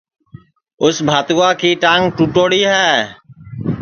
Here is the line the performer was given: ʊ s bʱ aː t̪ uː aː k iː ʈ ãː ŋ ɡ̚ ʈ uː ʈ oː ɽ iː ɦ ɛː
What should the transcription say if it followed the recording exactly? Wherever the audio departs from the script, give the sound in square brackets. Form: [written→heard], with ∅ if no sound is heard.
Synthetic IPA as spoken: ʊ s bʱ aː t̪ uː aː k iː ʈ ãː ŋ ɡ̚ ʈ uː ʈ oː ɽ iː ɦ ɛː